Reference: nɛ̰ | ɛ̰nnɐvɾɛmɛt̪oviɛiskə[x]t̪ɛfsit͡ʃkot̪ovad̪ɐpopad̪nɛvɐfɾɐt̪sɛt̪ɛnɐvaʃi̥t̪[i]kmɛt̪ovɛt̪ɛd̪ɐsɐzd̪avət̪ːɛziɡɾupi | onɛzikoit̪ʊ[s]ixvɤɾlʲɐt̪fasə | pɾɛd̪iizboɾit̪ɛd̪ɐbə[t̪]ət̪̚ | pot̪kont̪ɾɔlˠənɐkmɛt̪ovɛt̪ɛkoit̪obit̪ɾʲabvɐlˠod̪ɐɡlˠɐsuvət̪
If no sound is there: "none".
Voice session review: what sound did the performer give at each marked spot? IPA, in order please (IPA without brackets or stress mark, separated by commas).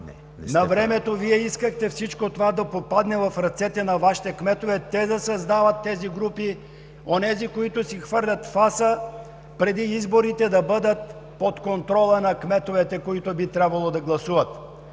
x, ɛ, s, d̪